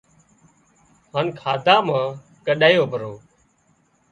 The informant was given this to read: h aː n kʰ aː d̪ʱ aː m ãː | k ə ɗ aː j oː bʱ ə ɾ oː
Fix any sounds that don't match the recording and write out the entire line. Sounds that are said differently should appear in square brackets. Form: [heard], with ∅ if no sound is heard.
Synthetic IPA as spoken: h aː n kʰ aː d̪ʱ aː m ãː | k ə ɗ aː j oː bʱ ə ɾ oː